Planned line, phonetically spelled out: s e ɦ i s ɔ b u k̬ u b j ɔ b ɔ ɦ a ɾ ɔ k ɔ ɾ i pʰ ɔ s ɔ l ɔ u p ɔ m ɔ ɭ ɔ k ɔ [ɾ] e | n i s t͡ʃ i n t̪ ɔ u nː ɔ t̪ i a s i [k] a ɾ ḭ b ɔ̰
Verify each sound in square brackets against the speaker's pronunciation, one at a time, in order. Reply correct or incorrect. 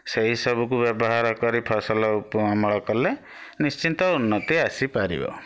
incorrect: l, incorrect: p

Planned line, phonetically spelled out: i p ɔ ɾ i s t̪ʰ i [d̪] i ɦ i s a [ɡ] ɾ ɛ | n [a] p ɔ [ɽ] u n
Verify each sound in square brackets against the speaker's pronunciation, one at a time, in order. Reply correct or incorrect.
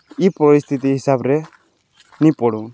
incorrect: t̪, incorrect: b, incorrect: i, correct

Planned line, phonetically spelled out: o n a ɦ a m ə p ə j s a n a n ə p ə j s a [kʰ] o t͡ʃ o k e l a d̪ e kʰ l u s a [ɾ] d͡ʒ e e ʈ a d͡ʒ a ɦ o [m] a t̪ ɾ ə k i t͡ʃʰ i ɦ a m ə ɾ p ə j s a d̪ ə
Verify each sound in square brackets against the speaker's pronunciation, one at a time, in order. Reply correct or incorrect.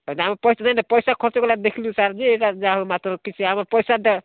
correct, correct, correct

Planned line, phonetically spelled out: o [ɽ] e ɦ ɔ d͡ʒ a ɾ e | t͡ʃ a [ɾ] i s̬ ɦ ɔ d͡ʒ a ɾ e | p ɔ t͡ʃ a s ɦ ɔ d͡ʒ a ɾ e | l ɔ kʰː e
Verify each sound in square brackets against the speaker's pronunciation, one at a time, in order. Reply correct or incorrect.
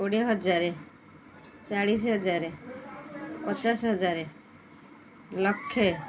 correct, incorrect: ɽ

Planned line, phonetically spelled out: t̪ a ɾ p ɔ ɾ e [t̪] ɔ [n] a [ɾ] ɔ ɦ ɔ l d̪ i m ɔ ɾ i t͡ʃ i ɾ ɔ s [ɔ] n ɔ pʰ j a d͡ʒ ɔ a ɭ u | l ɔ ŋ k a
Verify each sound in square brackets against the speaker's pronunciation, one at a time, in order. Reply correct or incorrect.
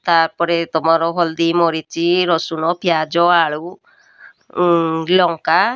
correct, incorrect: m, correct, incorrect: u

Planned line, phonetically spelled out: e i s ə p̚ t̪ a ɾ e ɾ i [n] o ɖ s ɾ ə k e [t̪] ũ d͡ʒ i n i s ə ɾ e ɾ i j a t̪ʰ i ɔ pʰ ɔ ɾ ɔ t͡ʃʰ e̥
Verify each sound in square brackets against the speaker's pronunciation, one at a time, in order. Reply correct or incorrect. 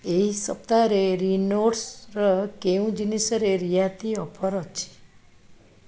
correct, incorrect: none

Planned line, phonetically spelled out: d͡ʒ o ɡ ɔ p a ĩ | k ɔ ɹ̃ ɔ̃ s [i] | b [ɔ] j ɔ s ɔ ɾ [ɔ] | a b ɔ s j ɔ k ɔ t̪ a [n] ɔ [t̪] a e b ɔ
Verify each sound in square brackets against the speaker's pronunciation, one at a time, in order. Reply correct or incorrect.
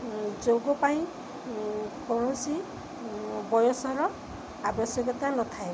correct, correct, correct, correct, incorrect: t̪ʰ

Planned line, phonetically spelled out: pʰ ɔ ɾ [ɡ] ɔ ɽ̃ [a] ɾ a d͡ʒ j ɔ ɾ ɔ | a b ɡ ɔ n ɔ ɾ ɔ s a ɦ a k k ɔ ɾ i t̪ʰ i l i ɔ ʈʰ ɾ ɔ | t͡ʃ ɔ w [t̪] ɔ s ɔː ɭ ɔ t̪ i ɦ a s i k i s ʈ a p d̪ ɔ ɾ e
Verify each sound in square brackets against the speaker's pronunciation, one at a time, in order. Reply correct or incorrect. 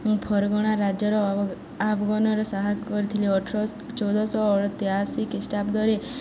correct, correct, incorrect: d̪

